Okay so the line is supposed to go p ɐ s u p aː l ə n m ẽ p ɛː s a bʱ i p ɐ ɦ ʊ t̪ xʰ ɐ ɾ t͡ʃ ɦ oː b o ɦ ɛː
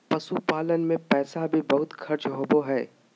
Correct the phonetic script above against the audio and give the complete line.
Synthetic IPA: p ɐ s u p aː l ə n m ẽ p ɛː s a bʱ i b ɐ ɦ ʊ t̪ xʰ ɐ ɾ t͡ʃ ɦ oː b o ɦ ɛː

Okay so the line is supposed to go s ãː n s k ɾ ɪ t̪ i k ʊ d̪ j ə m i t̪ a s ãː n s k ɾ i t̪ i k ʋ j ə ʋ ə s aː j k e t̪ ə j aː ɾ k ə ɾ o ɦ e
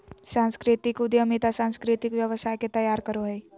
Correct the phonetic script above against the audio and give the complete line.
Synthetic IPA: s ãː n s k ɾ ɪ t̪ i k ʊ d̪ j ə m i t̪ a s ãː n s k ɾ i t̪ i k ʋ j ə ʋ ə s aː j k e t̪ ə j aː ɾ k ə ɾ o ɦ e

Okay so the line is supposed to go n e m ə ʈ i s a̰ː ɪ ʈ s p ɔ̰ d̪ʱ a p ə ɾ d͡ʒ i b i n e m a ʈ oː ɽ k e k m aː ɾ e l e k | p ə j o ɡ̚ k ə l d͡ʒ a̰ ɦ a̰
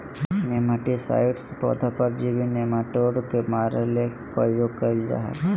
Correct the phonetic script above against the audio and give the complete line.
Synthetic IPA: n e m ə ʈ i s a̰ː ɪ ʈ s p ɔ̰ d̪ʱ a p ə ɾ d͡ʒ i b i n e m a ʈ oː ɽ k e m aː ɾ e l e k | p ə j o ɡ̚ k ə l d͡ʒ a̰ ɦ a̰

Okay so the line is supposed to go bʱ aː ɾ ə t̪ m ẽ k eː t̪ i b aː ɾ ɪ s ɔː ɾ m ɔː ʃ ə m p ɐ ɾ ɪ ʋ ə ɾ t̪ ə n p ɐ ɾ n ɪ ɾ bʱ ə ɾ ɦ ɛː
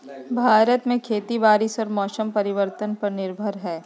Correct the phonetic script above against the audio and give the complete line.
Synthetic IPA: bʱ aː ɾ ə t̪ m ẽ kʰ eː t̪ i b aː ɾ ɪ s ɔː ɾ m ɔː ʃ ə m p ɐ ɾ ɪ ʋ ə ɾ t̪ ə n p ɐ ɾ n ɪ ɾ bʱ ə ɾ ɦ ɛː

